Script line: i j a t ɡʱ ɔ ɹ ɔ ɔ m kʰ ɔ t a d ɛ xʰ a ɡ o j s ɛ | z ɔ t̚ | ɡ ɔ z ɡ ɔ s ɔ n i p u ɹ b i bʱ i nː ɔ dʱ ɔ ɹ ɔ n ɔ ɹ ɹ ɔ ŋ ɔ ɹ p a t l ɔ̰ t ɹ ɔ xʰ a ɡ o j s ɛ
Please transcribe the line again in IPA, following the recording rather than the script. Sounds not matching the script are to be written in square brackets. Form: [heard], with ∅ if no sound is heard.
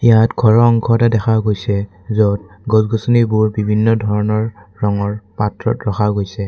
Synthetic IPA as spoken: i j a t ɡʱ ɔ ɹ ɔ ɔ [ŋ] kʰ ɔ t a d ɛ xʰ a ɡ o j s ɛ | z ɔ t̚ | ɡ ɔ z ɡ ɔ s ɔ n i [b] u ɹ b i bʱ i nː ɔ dʱ ɔ ɹ ɔ n ɔ ɹ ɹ ɔ ŋ ɔ ɹ p a t [ɹ] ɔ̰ t ɹ ɔ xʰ a ɡ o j s ɛ